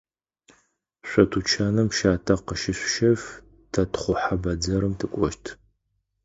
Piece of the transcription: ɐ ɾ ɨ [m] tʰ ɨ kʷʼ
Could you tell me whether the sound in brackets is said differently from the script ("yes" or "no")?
no